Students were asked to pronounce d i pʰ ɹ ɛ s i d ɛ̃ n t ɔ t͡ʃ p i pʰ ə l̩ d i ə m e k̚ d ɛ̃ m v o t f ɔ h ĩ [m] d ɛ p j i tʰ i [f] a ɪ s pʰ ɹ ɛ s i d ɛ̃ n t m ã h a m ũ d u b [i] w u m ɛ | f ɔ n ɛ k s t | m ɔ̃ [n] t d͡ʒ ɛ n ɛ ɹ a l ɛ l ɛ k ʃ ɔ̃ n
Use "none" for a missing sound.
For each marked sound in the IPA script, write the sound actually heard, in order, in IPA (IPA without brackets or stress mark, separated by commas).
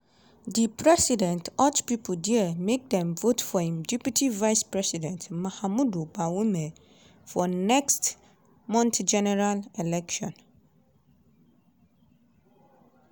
m, v, a, n